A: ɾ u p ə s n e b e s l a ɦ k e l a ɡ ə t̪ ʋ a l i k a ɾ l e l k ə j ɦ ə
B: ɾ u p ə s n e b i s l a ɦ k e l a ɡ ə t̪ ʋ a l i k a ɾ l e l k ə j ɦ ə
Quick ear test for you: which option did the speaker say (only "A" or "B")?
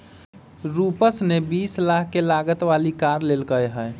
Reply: B